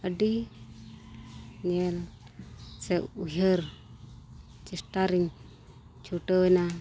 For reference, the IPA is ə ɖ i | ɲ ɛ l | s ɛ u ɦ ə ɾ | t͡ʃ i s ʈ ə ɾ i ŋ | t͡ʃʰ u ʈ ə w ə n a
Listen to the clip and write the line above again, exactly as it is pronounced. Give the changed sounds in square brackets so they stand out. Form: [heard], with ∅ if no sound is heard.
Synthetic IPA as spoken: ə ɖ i | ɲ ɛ l | s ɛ u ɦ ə ɾ | t͡ʃ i s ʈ [a] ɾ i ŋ | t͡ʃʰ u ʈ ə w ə n a